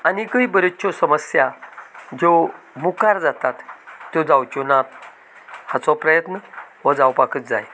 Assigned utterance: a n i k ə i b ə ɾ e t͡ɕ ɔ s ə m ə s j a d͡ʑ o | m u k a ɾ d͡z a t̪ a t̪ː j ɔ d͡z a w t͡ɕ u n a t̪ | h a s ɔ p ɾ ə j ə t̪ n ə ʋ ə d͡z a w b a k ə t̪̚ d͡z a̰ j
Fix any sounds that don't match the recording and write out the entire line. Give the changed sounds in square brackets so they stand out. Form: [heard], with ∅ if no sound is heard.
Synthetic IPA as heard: a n i k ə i b ə ɾ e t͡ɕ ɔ s ə m ə s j a d͡ʑ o | m u k a ɾ d͡z a t̪ a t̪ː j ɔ d͡z a w t͡ɕ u n a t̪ | h a [t͡s] ɔ p ɾ ə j ə t̪ n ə ʋ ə d͡z a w [p] a k ə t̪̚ d͡z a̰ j